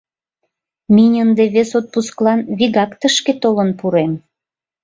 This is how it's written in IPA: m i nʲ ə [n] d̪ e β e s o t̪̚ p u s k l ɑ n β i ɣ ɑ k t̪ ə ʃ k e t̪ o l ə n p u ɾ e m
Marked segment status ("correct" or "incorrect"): correct